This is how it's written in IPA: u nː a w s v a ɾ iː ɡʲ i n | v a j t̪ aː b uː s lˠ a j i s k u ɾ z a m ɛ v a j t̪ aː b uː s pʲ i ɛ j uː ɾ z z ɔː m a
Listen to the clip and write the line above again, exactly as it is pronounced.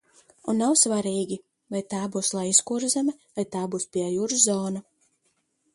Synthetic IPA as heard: u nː a w s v a ɾ iː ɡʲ i | v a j t̪ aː b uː s lˠ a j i s k u ɾ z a m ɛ v a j t̪ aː b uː s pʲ i ɛ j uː ɾ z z ɔː n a